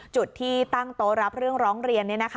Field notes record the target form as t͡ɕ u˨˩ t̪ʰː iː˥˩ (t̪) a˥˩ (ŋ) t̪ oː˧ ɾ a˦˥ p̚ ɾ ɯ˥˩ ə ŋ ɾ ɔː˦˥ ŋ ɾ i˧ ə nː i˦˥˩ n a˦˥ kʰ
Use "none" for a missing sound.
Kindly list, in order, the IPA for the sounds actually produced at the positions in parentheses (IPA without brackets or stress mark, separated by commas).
t̪, ŋ